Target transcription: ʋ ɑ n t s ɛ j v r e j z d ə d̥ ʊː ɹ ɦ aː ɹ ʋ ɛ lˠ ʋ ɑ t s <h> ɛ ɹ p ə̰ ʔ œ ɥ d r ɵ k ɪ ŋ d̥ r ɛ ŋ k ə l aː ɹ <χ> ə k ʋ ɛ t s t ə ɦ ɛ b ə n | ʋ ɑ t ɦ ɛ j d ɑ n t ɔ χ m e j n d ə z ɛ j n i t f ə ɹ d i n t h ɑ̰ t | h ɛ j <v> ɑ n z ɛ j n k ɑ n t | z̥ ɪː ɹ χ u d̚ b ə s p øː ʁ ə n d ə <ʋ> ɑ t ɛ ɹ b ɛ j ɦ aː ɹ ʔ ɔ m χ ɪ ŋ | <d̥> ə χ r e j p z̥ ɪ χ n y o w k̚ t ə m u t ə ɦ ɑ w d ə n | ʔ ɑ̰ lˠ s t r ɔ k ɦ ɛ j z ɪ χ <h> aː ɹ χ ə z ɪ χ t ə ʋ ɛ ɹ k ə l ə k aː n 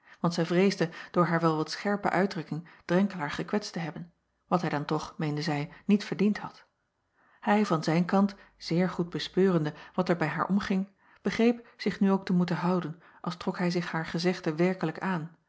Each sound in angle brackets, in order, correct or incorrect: incorrect: χ, correct, correct, correct, incorrect: b̥, correct

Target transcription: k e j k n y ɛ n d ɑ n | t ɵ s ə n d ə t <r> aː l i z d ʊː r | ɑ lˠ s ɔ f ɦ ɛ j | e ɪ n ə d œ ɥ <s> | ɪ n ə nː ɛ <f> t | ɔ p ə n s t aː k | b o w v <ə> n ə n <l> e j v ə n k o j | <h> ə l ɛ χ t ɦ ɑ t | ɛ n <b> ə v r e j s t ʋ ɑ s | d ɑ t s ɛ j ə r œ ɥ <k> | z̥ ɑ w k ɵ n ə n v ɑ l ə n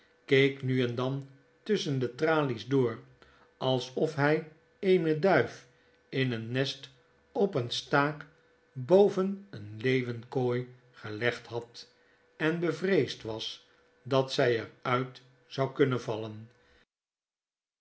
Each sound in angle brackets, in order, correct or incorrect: correct, incorrect: f, incorrect: s, correct, correct, incorrect: χ, correct, incorrect: t

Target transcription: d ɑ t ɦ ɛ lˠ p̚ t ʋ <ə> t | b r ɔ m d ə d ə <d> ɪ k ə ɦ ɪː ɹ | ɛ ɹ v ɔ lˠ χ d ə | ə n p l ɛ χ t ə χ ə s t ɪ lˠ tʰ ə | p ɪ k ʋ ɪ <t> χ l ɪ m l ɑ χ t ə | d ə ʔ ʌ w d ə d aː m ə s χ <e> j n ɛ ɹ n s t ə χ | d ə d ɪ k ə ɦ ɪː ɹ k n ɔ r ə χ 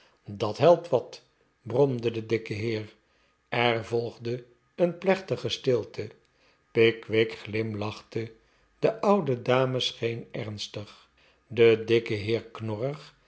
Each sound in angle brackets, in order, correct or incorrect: incorrect: ɑ, correct, incorrect: k, correct

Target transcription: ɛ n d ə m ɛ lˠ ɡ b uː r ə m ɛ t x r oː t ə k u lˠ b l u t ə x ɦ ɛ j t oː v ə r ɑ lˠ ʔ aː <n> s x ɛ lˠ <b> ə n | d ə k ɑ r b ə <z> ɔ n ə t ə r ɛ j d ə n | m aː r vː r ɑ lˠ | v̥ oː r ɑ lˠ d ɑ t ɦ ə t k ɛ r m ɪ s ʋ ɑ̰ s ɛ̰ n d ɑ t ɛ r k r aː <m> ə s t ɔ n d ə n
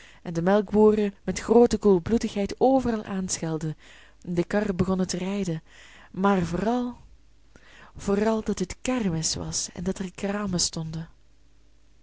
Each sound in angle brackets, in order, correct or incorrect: correct, incorrect: d, incorrect: ɣ, correct

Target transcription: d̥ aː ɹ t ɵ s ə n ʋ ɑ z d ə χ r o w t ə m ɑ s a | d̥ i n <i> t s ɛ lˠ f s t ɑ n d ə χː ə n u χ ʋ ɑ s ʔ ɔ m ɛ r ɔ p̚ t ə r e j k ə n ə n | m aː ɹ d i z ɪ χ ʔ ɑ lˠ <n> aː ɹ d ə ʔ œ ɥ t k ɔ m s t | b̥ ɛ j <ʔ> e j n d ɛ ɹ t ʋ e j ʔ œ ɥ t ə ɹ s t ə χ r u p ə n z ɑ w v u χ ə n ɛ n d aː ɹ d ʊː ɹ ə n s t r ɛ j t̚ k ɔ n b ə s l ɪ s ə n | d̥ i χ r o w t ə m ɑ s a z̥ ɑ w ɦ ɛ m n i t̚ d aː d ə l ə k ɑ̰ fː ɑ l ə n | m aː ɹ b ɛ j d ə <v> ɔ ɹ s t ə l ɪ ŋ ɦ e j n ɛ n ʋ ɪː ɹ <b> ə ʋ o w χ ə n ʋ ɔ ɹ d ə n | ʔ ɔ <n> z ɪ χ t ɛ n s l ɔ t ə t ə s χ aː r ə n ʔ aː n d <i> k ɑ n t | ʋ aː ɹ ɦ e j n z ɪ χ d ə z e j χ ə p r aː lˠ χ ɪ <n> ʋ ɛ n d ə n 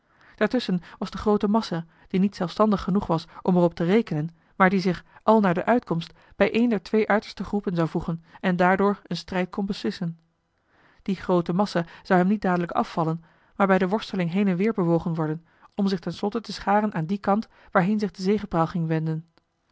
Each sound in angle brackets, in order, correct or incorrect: correct, correct, correct, incorrect: ʋ, correct, incorrect: m, correct, incorrect: ŋ

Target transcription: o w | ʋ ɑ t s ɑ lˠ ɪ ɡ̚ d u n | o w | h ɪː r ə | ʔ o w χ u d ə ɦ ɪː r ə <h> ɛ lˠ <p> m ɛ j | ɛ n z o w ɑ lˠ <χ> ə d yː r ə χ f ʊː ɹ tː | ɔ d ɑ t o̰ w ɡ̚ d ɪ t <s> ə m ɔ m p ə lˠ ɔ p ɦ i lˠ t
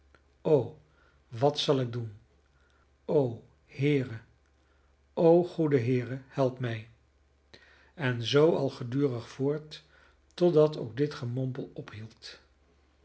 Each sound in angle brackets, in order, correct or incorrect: correct, correct, correct, incorrect: χ

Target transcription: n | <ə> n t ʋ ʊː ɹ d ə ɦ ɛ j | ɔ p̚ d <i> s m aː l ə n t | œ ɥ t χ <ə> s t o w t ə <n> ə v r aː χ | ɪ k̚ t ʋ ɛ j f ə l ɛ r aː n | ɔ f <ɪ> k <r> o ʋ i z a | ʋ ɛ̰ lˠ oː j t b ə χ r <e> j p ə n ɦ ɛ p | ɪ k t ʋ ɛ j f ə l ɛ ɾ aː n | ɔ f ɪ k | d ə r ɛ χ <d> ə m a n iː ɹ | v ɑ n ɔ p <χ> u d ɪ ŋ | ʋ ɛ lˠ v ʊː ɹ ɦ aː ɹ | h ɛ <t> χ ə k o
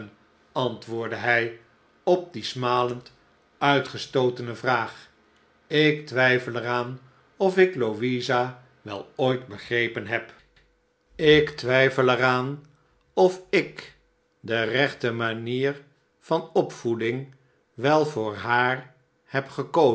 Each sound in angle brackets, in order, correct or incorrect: incorrect: ɑ, correct, correct, correct, correct, incorrect: l, correct, incorrect: t, incorrect: f, incorrect: p

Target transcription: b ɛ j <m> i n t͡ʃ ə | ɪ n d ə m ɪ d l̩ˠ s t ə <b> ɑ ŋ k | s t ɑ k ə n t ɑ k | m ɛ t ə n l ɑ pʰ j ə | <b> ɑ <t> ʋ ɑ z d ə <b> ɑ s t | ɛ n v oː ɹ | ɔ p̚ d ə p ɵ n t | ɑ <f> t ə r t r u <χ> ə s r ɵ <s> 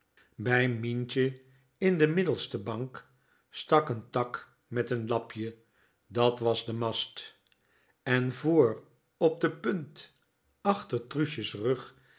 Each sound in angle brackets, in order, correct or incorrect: correct, correct, incorrect: d, correct, incorrect: m, incorrect: χ, incorrect: ʃ, incorrect: χ

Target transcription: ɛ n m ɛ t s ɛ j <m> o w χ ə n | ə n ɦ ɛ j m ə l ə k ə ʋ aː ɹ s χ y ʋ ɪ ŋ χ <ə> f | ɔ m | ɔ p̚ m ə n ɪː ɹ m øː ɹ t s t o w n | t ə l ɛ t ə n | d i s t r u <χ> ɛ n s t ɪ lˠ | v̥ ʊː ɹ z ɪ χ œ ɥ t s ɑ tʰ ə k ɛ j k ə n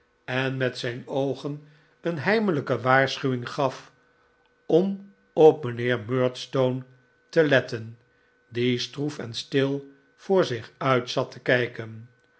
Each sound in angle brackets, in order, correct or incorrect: incorrect: n, incorrect: ɑ, incorrect: f

